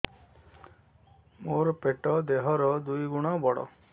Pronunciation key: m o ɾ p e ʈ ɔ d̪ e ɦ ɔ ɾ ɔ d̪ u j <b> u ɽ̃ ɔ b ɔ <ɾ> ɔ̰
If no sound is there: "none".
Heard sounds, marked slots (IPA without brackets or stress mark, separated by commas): ɡ, ɽ